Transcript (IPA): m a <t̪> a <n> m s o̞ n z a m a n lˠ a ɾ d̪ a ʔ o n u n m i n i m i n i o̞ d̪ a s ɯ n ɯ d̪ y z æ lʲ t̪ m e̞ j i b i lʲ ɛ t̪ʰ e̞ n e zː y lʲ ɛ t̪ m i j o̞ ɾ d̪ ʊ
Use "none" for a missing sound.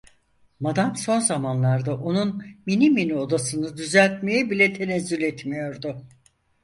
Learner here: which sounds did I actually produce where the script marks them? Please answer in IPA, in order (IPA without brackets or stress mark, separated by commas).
d̪, none